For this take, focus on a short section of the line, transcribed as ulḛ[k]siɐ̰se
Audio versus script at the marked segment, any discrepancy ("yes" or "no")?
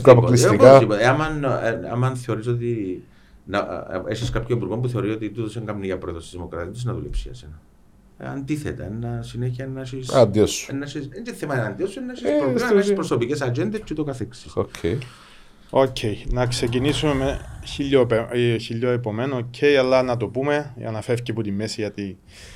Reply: yes